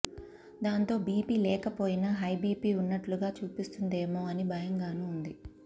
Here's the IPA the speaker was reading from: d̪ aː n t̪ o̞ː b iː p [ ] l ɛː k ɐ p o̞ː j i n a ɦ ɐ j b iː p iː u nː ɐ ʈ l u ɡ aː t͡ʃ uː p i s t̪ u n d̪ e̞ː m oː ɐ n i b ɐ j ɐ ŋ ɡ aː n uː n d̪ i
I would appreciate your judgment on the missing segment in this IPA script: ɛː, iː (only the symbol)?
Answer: iː